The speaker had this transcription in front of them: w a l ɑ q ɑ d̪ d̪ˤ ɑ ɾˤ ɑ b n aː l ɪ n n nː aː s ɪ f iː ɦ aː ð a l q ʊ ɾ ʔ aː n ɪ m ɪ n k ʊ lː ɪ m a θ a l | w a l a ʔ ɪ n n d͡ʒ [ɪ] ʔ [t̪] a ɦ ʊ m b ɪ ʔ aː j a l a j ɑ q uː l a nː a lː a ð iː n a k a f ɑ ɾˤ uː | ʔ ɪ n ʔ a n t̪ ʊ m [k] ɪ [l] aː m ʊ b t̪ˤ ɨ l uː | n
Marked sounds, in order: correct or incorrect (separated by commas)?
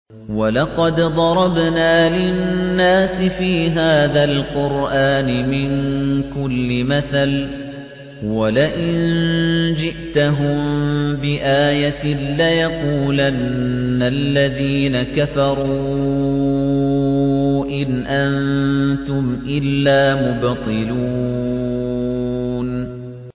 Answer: correct, correct, incorrect, incorrect